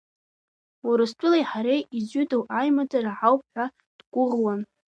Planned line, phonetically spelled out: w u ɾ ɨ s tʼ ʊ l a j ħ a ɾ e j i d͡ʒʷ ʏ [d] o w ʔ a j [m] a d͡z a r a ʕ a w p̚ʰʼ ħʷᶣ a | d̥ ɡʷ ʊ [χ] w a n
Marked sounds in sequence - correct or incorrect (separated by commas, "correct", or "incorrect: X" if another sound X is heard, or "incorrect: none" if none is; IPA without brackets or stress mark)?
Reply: correct, correct, incorrect: ʁ